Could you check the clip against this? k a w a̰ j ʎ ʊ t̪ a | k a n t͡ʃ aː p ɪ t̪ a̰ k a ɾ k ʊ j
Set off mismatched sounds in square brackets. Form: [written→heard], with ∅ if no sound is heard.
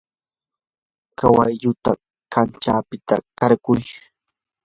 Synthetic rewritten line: k a w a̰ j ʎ ʊ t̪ a | k a n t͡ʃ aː p ɪ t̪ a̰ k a ɾ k ʊ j